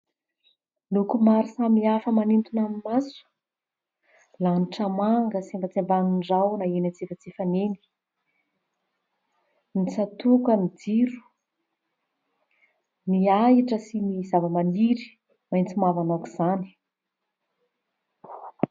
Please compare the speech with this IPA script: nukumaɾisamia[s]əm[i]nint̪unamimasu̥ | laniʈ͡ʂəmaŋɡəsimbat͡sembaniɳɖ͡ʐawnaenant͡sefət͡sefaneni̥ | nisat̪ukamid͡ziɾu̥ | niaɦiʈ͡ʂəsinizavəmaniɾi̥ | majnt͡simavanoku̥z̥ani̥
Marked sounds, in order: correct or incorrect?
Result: incorrect, incorrect

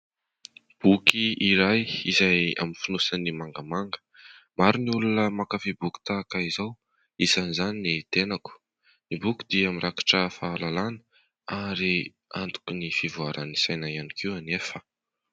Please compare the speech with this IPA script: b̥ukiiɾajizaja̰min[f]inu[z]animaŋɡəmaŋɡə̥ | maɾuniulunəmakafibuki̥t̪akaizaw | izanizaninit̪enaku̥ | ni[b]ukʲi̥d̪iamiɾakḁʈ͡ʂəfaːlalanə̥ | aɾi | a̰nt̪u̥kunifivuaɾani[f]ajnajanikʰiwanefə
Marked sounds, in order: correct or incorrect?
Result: correct, incorrect, correct, incorrect

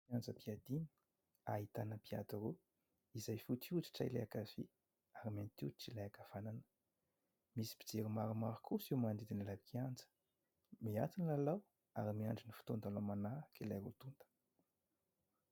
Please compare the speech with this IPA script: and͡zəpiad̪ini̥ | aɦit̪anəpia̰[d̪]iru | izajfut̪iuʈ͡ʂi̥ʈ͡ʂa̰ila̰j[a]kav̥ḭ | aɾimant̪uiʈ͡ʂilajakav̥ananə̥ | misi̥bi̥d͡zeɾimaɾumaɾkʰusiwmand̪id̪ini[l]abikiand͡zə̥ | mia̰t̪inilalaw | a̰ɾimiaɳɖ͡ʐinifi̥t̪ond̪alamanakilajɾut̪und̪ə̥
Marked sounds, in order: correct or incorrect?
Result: correct, correct, correct

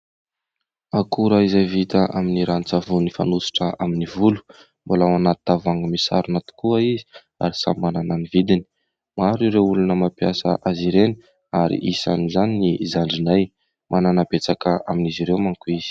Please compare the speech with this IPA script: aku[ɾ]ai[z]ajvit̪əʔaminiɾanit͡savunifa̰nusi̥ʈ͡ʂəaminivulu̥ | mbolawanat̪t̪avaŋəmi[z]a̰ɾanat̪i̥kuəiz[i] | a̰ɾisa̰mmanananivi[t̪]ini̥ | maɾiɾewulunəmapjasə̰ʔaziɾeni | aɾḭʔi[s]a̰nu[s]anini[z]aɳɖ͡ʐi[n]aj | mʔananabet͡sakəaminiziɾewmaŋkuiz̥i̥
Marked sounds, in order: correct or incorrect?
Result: correct, correct, incorrect, correct, incorrect, correct, incorrect, correct, correct

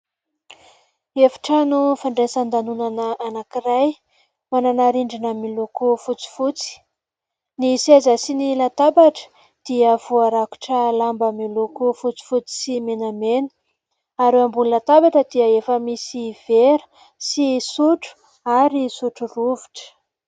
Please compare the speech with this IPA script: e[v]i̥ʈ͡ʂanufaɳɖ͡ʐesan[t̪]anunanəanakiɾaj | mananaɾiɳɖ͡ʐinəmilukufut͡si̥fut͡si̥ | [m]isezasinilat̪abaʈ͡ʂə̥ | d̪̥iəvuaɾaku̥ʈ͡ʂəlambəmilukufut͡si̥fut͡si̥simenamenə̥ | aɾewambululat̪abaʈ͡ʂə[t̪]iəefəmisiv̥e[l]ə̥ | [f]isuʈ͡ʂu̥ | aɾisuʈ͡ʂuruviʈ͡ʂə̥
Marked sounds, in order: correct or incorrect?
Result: incorrect, incorrect, incorrect, incorrect, incorrect, incorrect

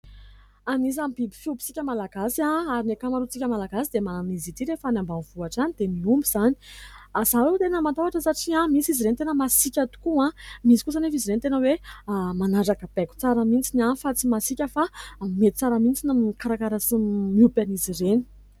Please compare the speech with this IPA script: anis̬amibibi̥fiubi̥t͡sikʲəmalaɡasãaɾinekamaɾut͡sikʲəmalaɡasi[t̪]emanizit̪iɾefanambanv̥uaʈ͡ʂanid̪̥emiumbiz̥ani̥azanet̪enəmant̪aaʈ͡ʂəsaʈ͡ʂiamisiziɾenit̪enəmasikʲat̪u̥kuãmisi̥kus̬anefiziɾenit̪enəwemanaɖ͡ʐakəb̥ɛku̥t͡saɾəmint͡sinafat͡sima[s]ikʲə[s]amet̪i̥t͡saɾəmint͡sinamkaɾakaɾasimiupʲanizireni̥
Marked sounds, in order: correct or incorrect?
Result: incorrect, correct, incorrect

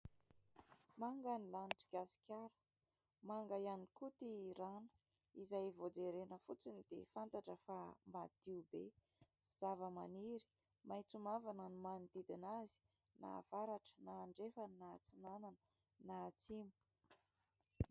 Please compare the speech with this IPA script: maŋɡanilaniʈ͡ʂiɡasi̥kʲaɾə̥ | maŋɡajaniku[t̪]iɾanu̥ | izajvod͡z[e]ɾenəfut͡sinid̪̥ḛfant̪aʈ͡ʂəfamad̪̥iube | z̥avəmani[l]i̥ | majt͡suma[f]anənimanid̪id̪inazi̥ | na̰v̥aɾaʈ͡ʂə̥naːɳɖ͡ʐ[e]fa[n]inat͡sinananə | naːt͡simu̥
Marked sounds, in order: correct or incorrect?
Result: correct, correct, incorrect, incorrect, correct, correct

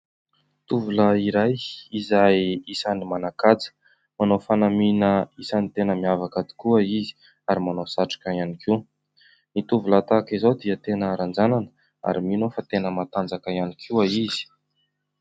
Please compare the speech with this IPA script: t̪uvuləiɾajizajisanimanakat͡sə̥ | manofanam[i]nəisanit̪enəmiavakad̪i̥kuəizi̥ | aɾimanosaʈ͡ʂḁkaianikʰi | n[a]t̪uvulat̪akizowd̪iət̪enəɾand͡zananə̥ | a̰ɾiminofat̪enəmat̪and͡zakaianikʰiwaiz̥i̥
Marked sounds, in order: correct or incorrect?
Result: correct, incorrect

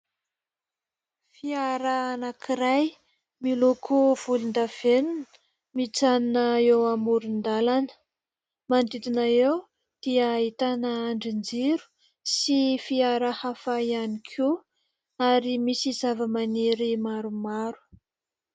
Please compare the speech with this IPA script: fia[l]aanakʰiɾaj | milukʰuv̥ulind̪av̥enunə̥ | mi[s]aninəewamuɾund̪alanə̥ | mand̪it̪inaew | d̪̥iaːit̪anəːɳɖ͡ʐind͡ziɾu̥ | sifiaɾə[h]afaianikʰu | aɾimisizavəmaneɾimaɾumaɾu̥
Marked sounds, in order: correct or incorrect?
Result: incorrect, incorrect, correct

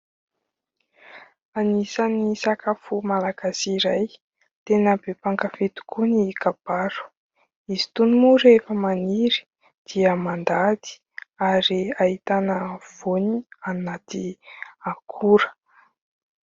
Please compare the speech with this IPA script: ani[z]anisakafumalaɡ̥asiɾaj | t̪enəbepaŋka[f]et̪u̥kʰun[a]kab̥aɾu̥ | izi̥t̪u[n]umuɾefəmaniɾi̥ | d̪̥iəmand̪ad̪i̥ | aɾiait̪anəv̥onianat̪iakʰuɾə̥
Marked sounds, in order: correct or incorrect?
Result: incorrect, correct, incorrect, correct

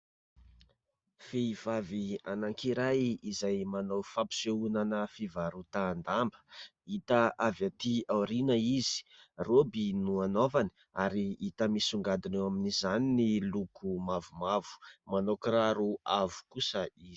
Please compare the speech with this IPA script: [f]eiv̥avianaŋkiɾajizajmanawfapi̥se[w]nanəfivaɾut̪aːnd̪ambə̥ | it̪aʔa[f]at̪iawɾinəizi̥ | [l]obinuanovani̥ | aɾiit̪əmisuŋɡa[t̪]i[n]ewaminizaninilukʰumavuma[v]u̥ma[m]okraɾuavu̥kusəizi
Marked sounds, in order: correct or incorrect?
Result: correct, incorrect, incorrect, incorrect, incorrect, correct, correct, incorrect

